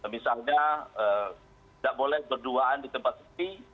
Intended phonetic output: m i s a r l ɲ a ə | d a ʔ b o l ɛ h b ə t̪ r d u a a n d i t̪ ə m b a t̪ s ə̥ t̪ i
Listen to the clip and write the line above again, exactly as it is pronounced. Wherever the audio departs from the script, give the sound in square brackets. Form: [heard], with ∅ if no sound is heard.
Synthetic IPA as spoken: m i s a [∅] l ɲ a ə | d a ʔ b o l ɛ h b ə [∅] r d u a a n d i t̪ ə m [p] a t̪ s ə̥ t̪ i